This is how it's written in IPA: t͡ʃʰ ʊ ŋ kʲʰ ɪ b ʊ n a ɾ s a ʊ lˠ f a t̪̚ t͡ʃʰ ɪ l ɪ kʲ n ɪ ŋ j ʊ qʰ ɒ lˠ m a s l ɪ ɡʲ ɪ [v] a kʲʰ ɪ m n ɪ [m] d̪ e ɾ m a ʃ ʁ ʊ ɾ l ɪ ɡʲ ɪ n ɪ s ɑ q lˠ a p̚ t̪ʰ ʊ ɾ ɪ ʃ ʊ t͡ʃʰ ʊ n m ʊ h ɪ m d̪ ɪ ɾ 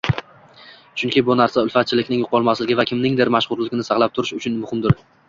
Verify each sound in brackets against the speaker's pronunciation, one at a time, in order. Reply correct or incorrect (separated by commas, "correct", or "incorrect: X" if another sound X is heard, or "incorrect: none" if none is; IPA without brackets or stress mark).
correct, incorrect: ŋ